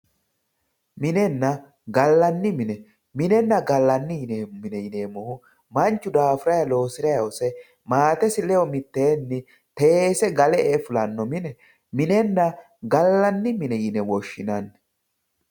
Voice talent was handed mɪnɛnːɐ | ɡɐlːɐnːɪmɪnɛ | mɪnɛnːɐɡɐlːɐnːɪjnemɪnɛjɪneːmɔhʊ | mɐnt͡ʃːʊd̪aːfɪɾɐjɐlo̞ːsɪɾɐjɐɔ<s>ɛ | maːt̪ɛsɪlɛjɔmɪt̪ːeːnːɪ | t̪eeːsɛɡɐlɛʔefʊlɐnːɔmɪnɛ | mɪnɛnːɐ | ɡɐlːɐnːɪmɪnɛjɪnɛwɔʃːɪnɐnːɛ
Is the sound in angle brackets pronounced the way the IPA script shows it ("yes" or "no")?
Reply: yes